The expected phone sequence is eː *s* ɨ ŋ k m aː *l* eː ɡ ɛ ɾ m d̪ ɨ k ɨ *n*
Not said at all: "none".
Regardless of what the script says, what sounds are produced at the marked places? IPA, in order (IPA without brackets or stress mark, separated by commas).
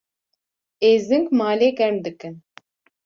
z, l, n